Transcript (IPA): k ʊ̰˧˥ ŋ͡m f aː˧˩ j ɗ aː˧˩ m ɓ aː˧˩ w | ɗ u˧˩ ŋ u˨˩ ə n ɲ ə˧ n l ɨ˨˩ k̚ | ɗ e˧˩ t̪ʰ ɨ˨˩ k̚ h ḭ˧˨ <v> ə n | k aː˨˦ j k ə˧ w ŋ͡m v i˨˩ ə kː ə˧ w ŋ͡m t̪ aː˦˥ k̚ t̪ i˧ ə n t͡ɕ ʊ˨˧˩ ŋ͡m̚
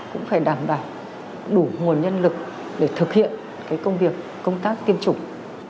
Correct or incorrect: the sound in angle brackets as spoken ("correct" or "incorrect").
incorrect